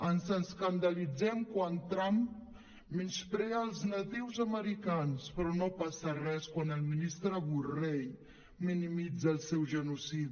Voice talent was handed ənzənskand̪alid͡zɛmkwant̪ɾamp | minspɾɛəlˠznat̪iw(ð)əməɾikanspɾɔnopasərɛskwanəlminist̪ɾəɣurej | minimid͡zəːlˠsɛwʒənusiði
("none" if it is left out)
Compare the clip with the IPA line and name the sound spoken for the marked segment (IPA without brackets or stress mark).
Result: z